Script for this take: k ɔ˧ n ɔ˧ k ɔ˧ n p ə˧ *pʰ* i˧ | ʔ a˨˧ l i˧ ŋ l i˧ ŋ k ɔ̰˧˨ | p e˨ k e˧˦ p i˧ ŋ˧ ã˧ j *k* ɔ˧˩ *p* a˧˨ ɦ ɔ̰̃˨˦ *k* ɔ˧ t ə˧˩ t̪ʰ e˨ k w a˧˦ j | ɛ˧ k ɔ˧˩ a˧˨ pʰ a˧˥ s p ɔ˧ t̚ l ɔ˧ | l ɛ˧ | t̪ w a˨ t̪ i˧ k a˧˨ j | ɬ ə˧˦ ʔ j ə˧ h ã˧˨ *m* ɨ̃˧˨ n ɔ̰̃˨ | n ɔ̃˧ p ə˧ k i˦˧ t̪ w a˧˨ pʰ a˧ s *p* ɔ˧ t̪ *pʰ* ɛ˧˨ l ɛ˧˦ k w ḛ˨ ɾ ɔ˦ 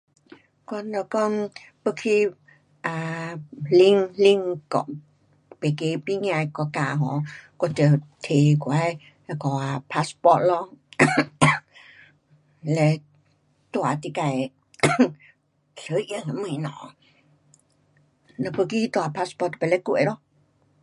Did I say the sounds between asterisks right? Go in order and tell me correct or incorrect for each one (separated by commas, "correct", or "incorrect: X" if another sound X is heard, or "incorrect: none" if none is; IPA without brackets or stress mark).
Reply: incorrect: kʰ, correct, incorrect: k, correct, correct, correct, incorrect: p